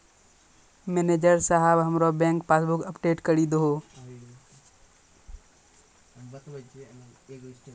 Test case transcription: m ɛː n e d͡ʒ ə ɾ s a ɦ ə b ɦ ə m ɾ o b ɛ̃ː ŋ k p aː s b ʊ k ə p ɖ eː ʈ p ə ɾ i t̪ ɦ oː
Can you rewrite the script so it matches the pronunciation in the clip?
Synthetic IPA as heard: m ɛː n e d͡ʒ ə ɾ s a ɦ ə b ɦ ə m ɾ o b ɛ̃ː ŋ k p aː s b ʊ k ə p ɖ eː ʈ k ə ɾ i d̪ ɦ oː